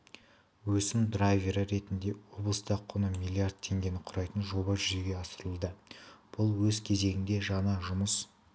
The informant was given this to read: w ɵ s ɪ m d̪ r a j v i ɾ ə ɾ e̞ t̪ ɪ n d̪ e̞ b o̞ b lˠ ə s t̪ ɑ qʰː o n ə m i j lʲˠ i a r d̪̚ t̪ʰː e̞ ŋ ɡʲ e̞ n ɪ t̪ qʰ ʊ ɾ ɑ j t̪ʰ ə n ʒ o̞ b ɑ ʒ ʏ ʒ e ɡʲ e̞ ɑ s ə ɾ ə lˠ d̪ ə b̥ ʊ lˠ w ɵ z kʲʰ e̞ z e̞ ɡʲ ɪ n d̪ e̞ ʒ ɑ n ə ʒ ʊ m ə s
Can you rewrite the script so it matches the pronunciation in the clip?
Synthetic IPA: w ɵ s ɪ m d̪ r a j v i ɾ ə ɾ e̞ t̪ ɪ n d̪ e̞ w o̞ b lˠ ə s t̪ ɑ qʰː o n ə m i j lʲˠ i a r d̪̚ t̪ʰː e̞ ŋ ɡʲ e̞ n ɪ qʰ ʊ ɾ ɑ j t̪ ə n ʒ o̞ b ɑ ʒ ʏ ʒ e ɡʲ e̞ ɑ s ə ɾ ə lˠ d̪ ə b̥ ʊ lˠ w ɵ z kʲʰ e̞ z e̞ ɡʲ ɪ n d̪ e̞ ʒ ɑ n ɑ ʒ ʊ m ə s